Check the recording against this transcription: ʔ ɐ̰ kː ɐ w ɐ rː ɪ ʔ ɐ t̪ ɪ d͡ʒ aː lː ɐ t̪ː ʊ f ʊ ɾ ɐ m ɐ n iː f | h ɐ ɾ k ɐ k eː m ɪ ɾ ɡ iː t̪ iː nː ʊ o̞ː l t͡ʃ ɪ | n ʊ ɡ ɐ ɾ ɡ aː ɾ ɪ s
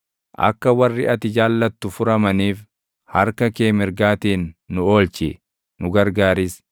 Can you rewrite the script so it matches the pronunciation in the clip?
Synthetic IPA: ʔ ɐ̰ kː ɐ w ɐ rː ɪ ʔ ɐ t̪ ɪ d͡ʒ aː lː ɐ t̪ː ʊ f ʊ ɾ ɐ m ɐ n iː f | h ɐ ɾ k ɐ k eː m ɪ ɾ ɡ aː t̪ iː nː ʊ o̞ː l t͡ʃ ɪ | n ʊ ɡ ɐ ɾ ɡ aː ɾ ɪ s